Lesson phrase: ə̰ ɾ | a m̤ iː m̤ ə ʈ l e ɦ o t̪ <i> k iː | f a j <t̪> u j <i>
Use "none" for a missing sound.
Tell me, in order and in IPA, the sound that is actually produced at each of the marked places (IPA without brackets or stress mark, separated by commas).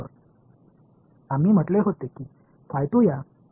e, t̪, a